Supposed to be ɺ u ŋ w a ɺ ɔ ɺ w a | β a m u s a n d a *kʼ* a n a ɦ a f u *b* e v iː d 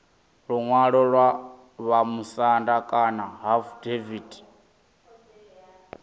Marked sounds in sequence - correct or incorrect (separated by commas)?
correct, incorrect